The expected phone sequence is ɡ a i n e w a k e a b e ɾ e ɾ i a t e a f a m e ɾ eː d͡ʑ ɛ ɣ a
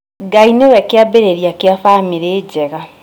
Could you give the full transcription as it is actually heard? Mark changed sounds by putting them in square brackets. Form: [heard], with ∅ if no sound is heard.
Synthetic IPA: ɡ a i n e w [ɛ] k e a b e ɾ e ɾ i a [k] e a f a m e ɾ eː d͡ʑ ɛ ɣ a